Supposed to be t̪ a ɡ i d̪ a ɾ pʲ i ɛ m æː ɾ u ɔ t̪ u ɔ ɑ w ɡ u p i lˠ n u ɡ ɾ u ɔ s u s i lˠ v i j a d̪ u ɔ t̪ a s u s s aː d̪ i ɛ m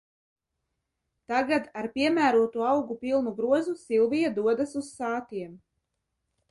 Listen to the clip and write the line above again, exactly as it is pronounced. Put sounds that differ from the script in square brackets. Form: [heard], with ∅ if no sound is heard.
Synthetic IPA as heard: t̪ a ɡ [a] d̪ a ɾ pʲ i ɛ m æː ɾ u ɔ t̪ u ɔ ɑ w ɡ u p i lˠ n u ɡ ɾ u ɔ [z] u s i lˠ v i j a d̪ u ɔ [d̪] a s u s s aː [t̪] i ɛ m